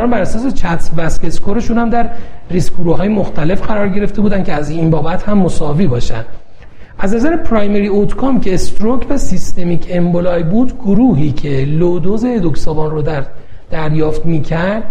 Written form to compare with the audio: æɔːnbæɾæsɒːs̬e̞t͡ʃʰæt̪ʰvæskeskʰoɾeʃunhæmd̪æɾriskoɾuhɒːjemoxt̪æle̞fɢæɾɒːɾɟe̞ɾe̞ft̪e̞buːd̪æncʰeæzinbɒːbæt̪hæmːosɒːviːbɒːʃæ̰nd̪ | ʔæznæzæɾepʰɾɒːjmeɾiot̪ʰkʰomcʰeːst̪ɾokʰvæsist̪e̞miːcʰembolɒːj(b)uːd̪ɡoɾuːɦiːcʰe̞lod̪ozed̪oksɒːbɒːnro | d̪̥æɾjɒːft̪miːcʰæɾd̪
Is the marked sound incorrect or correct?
correct